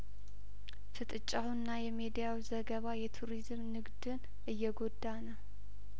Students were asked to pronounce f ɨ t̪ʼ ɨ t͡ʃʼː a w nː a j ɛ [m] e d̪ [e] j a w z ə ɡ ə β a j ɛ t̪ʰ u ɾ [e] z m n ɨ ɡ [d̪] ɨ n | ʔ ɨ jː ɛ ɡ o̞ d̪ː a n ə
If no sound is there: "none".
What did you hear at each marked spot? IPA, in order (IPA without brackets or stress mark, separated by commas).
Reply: m, i, i, d̪